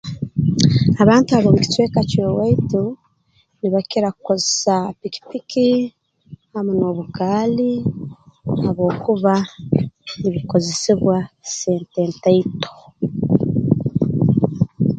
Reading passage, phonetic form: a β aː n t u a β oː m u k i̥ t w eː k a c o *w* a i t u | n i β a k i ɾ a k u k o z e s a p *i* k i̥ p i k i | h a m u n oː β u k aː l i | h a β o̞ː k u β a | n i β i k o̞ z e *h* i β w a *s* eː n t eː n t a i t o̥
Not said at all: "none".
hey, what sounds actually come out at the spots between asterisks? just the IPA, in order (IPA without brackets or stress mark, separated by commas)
w, i, s, s